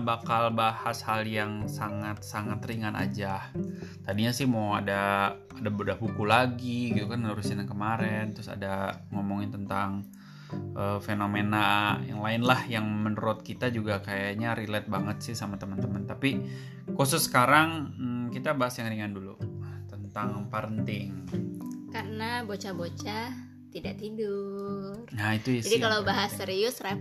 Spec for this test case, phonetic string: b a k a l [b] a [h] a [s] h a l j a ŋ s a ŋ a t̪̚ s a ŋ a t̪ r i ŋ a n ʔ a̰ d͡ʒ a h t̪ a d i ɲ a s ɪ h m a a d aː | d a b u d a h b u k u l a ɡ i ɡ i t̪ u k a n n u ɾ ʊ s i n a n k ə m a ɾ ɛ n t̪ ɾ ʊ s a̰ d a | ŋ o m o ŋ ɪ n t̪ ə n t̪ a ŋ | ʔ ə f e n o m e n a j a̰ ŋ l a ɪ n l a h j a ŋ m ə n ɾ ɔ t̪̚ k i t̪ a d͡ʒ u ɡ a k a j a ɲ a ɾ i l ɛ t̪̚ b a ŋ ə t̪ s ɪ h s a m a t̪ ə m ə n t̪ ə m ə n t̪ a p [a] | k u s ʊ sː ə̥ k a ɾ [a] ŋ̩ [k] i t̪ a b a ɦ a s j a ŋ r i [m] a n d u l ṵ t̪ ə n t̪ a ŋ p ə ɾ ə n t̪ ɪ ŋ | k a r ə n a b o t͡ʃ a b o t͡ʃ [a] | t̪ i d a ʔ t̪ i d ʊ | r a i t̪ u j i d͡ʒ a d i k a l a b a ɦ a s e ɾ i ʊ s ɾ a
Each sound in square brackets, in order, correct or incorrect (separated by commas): correct, correct, correct, incorrect, correct, correct, incorrect, correct